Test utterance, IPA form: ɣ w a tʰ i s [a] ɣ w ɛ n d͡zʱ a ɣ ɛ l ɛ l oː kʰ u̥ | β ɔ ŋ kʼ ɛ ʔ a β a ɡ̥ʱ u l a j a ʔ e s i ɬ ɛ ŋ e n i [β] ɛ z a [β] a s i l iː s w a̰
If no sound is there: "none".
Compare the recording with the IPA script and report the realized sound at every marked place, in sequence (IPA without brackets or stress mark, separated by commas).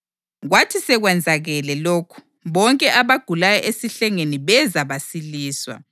ɛ, β, β